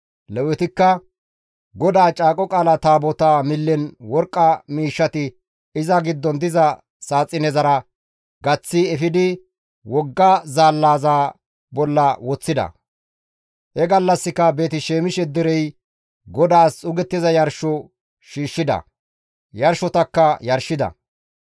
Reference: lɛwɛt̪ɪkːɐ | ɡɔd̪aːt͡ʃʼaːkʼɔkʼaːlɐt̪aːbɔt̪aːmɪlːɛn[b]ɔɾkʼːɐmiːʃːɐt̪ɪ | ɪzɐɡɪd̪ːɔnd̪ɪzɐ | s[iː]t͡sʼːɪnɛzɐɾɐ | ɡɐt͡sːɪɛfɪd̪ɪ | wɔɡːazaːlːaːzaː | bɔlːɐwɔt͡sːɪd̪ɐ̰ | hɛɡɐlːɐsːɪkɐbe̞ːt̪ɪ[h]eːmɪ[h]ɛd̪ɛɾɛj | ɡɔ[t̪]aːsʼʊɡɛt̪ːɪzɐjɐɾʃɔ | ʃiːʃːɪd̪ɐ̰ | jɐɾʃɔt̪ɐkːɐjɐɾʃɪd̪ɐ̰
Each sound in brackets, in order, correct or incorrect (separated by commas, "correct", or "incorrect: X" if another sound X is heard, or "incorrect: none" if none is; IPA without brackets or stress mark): incorrect: w, incorrect: aː, incorrect: ʃ, incorrect: ʃ, incorrect: d̪